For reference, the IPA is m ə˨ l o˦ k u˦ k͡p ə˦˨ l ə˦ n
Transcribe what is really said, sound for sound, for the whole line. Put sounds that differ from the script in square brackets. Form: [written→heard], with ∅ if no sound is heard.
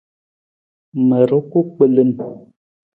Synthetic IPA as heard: m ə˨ [l→ɾ] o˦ k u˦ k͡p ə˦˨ l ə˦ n